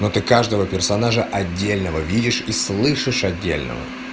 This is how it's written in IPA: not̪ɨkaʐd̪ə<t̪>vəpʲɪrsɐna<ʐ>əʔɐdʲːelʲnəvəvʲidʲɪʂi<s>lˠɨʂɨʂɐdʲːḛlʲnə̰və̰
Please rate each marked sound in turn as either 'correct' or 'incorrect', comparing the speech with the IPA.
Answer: incorrect: none, correct, correct

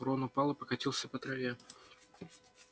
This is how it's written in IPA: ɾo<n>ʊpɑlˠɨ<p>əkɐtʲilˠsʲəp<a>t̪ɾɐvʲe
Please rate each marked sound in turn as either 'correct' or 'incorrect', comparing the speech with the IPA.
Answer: correct, correct, incorrect: ə

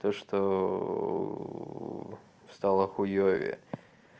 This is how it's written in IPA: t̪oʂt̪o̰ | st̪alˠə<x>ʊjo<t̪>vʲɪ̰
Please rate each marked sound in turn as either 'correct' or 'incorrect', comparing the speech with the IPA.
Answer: correct, incorrect: none

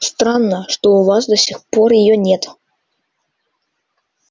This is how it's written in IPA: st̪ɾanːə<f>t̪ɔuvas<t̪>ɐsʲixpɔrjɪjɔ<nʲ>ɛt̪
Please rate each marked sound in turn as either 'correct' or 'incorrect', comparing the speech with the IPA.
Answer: incorrect: ʂ, incorrect: d̪, correct

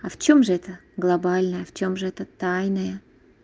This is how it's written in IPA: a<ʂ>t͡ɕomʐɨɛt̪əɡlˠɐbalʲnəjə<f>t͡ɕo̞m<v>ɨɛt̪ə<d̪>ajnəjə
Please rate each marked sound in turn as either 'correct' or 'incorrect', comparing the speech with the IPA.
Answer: incorrect: f, correct, incorrect: ʐ, incorrect: t̪

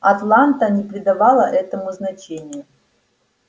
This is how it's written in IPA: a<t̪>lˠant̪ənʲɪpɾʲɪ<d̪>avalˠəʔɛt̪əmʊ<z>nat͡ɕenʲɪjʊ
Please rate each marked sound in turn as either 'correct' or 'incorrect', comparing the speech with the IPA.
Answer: correct, correct, correct

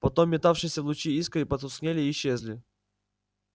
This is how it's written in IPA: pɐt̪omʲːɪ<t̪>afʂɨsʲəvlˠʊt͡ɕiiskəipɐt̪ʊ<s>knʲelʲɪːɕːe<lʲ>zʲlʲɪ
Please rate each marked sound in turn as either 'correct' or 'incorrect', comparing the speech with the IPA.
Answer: correct, correct, incorrect: none

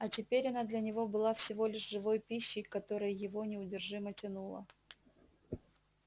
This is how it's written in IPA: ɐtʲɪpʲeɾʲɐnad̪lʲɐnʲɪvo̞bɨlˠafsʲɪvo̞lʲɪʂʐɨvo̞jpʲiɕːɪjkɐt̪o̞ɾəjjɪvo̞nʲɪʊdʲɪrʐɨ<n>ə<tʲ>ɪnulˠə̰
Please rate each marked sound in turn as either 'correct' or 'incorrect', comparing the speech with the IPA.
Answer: incorrect: m, correct

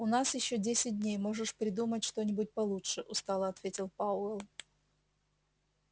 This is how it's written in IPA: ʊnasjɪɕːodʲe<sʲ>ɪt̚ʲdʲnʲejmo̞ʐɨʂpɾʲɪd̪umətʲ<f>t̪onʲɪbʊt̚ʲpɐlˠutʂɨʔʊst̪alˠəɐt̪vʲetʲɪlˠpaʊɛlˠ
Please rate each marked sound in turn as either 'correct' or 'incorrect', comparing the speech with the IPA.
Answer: correct, incorrect: ʂ

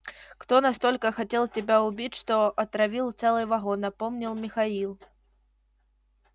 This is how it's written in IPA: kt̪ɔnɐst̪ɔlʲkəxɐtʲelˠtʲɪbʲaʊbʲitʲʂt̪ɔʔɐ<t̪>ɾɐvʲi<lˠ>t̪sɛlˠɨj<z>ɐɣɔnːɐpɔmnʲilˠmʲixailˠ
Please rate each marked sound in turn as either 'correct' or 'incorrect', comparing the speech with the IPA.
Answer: correct, correct, incorrect: v

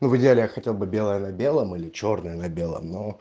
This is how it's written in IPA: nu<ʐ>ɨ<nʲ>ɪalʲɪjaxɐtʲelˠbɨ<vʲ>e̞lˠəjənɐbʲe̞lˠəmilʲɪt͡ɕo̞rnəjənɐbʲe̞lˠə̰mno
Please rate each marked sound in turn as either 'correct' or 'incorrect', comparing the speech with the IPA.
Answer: incorrect: v, incorrect: dʲ, incorrect: bʲ

